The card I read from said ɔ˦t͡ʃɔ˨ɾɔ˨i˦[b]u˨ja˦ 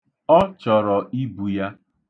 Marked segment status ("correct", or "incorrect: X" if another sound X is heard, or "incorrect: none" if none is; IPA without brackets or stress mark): correct